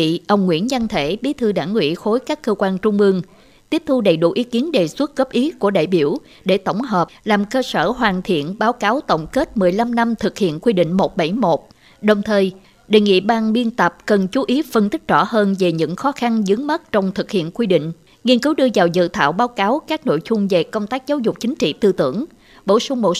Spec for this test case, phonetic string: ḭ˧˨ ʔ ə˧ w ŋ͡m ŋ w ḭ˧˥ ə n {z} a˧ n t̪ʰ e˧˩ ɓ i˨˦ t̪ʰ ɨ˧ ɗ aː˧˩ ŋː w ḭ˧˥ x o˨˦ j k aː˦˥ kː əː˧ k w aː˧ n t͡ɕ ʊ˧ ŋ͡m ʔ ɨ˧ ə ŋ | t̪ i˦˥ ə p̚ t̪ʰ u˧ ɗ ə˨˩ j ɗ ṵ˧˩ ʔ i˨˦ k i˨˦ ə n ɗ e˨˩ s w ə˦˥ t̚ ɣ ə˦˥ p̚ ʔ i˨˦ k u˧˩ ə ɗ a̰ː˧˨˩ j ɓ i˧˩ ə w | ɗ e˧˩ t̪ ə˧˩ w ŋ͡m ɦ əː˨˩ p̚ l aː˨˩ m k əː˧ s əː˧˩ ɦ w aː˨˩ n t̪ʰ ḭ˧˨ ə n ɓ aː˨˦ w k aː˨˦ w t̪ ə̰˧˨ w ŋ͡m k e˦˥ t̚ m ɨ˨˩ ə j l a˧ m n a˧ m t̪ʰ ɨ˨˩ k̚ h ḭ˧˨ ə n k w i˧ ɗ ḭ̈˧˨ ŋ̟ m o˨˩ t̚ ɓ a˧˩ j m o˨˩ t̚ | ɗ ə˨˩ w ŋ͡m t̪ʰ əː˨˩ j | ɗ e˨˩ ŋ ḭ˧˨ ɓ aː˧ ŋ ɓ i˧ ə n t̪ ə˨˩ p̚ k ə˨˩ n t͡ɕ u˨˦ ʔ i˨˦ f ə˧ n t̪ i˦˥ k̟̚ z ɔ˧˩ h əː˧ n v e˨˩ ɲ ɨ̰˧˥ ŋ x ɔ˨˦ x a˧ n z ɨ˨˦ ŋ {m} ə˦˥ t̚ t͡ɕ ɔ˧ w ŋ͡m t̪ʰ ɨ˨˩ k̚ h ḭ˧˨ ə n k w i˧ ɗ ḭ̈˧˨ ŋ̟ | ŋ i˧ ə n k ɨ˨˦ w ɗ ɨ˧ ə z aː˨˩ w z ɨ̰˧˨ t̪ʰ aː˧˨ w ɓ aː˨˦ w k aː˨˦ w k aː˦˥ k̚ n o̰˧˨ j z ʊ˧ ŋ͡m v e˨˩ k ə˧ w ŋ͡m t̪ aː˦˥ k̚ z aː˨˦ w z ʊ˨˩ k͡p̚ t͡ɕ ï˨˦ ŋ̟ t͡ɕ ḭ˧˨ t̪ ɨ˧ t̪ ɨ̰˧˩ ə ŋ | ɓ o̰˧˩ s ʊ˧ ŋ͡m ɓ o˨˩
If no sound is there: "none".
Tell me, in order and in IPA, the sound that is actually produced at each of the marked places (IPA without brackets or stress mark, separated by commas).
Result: z, m